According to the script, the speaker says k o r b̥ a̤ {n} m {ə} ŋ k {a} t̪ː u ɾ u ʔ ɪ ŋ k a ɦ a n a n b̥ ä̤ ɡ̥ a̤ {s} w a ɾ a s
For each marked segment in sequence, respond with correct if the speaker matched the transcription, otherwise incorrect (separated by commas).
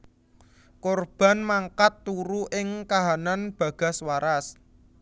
correct, incorrect, correct, correct